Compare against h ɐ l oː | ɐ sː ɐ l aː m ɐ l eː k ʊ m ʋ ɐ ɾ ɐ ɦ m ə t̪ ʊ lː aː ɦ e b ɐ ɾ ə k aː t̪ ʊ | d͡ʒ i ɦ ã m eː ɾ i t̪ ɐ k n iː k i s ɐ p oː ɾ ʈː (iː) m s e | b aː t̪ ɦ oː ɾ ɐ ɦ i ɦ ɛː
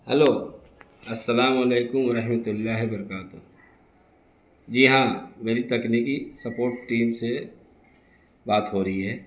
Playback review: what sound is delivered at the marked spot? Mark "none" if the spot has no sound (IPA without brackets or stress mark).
iː